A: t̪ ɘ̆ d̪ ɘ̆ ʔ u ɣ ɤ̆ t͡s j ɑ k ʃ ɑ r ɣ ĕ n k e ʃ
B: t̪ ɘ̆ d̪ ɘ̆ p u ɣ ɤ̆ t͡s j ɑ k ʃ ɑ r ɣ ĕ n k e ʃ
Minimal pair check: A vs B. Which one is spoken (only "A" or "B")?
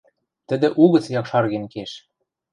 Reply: A